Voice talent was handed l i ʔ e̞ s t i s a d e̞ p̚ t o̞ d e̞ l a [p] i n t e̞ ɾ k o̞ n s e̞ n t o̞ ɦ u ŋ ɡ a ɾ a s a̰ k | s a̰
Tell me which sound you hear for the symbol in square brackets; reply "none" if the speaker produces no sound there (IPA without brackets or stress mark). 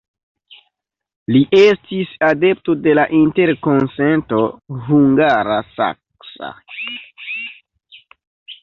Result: ʔ